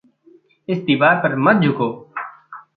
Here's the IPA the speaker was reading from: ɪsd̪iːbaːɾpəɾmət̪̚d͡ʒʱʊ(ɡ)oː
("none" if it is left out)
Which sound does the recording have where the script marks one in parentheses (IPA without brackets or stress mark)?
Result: k